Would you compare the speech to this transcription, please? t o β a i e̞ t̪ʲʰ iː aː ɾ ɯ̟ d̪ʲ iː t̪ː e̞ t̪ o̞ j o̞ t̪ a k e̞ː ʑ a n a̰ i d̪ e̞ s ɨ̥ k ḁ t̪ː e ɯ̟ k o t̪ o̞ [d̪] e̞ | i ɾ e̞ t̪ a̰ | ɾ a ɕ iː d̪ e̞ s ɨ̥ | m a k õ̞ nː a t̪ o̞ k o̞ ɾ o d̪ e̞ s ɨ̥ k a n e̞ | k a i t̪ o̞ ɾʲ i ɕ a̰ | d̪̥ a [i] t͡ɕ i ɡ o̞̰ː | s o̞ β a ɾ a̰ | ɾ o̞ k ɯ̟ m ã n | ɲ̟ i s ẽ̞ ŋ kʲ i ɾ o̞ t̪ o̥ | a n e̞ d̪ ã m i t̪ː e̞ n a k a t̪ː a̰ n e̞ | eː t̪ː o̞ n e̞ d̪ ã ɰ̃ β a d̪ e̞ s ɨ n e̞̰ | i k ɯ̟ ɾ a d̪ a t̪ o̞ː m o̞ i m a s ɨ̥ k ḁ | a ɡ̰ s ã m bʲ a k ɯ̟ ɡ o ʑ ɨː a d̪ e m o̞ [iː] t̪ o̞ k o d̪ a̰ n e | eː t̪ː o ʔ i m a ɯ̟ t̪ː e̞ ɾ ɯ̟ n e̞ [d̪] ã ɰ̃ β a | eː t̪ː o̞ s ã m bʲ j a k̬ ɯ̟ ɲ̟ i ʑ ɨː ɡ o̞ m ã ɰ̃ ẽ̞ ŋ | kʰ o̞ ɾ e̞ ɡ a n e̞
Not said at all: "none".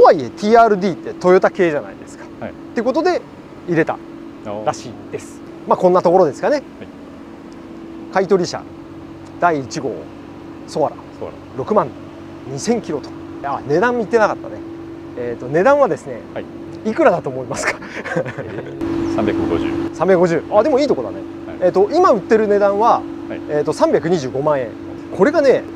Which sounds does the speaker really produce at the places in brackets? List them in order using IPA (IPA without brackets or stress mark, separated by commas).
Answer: d̪, iː, iː, d̪